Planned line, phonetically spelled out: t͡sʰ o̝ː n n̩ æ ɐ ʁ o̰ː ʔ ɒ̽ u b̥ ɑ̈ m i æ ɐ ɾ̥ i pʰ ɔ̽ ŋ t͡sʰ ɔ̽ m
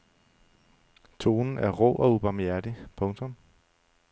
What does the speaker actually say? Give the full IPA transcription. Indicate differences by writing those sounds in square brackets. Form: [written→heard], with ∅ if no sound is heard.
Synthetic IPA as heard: t͡sʰ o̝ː n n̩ æ ɐ ʁ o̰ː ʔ ɒ̽ u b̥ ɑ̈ m [i→j] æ ɐ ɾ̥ i pʰ ɔ̽ ŋ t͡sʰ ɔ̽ m

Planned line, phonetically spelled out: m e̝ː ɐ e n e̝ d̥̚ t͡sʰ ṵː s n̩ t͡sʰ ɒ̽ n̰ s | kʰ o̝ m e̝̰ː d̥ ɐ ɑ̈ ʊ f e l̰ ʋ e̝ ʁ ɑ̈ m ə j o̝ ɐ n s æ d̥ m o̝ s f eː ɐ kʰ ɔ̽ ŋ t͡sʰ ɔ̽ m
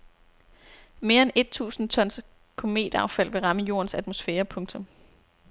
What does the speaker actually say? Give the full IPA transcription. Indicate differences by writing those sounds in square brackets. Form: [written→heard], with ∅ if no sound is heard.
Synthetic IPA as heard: m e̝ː ɐ e n e̝ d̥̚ t͡sʰ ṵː s n̩ t͡sʰ ɒ̽ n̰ s | kʰ o̝ m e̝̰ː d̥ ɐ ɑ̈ ʊ f [e→æ] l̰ ʋ e̝ ʁ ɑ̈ m ə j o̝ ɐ n s æ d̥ m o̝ s f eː ɐ [kʰ→pʰ] ɔ̽ ŋ t͡sʰ ɔ̽ m

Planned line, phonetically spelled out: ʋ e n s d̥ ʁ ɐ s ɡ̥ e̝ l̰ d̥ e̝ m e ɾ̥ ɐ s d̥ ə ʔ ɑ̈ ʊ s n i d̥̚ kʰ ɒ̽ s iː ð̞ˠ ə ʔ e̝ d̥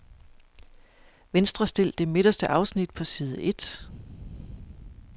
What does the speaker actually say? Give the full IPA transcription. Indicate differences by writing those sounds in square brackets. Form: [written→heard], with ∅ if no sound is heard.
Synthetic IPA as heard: ʋ e n s d̥ ʁ ɐ s [ɡ̥→d̥] e̝ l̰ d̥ e̝ m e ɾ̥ ɐ s d̥ ə ʔ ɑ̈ ʊ s n i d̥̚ [kʰ→pʰ] ɒ̽ s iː ð̞ˠ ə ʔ e̝ d̥

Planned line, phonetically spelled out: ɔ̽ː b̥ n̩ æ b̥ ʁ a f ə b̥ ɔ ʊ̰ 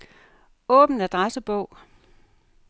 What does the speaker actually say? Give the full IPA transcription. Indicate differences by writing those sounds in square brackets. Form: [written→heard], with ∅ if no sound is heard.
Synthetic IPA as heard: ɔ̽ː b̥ n̩ æ [b̥→d̥] ʁ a [f→s] ə b̥ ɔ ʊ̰

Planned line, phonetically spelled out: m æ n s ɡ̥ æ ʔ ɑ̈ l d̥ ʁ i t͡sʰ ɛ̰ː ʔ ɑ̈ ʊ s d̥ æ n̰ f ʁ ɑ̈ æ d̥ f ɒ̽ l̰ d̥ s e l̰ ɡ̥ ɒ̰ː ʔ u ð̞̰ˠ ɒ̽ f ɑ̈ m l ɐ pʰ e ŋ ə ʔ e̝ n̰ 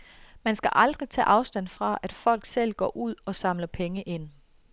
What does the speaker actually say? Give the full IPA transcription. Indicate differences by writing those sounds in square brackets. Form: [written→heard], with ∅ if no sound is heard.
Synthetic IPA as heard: m æ n s ɡ̥ æ ʔ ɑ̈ l d̥ ʁ i t͡sʰ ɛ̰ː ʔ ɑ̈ ʊ s d̥ æ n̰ f ʁ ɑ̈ æ d̥ f ɒ̽ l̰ [d̥→ɡ̥] s e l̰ ɡ̥ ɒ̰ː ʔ u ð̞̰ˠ ɒ̽ [f→s] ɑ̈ m l ɐ pʰ e ŋ ə ʔ e̝ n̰

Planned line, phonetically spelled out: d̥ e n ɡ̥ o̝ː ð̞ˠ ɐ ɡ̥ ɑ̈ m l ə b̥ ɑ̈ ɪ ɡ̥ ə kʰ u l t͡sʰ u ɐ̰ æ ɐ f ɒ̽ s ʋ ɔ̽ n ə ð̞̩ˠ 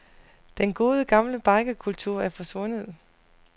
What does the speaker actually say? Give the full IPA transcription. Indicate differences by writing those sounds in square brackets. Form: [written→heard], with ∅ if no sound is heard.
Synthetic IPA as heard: d̥ e n ɡ̥ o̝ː ð̞ˠ [ɐ→ə] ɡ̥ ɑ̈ m l ə b̥ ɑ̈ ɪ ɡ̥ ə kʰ u l t͡sʰ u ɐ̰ æ ɐ f ɒ̽ s ʋ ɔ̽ n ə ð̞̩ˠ

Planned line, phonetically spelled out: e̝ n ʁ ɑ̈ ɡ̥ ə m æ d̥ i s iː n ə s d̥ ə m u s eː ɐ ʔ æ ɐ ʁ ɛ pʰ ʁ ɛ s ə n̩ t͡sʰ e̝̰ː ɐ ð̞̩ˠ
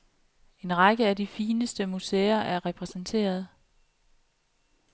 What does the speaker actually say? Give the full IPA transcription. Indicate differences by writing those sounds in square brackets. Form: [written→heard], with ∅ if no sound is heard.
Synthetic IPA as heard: e̝ n ʁ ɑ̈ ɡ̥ ə [m→∅] æ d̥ i [s→f] iː n ə s d̥ ə m u s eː ɐ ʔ æ ɐ ʁ ɛ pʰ ʁ ɛ s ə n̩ t͡sʰ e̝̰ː ɐ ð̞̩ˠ

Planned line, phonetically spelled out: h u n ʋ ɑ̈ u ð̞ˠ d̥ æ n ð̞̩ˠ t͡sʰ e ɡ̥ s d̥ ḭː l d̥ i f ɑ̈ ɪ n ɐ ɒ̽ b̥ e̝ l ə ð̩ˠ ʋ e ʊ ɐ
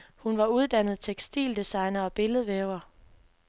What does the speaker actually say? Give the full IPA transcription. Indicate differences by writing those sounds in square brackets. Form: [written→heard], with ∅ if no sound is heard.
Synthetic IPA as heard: h u n ʋ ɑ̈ u ð̞ˠ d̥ æ n ð̞̩ˠ t͡sʰ e ɡ̥ s d̥ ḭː l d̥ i [f→s] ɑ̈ ɪ n ɐ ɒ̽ b̥ e̝ l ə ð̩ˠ ʋ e ʊ ɐ

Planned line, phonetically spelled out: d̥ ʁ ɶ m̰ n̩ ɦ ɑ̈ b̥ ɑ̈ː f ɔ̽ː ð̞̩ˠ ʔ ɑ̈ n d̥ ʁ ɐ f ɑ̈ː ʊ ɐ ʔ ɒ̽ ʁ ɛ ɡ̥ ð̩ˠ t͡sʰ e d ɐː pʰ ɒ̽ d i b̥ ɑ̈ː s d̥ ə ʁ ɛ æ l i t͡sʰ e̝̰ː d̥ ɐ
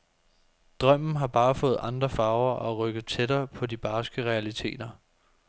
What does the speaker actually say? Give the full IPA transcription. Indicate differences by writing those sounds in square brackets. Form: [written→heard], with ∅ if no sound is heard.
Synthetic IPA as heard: d̥ ʁ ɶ m̰ n̩ ɦ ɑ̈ b̥ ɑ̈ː f ɔ̽ː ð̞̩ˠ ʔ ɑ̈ n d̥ ʁ ɐ f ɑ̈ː ʊ ɐ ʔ ɒ̽ ʁ [ɛ→œ] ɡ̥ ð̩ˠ t͡sʰ e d ɐː pʰ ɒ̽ d i b̥ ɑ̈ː s [d̥→ɡ̥] ə ʁ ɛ æ l i t͡sʰ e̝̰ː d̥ ɐ

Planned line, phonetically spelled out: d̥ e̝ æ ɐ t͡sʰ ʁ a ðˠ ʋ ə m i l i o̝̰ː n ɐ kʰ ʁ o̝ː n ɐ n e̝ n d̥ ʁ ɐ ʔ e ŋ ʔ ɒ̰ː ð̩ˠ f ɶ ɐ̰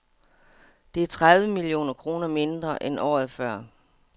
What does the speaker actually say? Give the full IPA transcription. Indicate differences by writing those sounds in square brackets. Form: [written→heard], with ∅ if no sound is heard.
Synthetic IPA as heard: d̥ e̝ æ ɐ t͡sʰ ʁ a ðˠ ʋ ə m i l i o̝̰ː n ɐ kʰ ʁ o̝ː n ɐ [n→m] e̝ n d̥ ʁ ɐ ʔ e [ŋ→n] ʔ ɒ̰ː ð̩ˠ f ɶ ɐ̰

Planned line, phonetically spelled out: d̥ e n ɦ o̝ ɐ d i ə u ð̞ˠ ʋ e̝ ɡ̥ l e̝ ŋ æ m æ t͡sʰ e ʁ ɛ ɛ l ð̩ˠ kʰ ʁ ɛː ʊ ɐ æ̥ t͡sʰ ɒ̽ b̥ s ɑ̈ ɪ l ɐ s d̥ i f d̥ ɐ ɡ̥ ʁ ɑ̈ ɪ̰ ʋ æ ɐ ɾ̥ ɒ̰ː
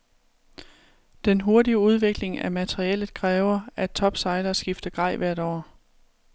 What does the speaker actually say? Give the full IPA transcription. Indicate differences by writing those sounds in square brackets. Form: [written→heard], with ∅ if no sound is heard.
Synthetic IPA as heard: d̥ e n ɦ o̝ ɐ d i ə u ð̞ˠ ʋ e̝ ɡ̥ l e̝ ŋ æ m æ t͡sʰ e ʁ [ɛ→i] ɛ l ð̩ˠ kʰ ʁ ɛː ʊ ɐ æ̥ t͡sʰ ɒ̽ b̥ s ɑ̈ ɪ l ɐ s [d̥→ɡ̥] i f d̥ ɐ ɡ̥ ʁ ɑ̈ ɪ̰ ʋ æ ɐ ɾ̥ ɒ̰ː

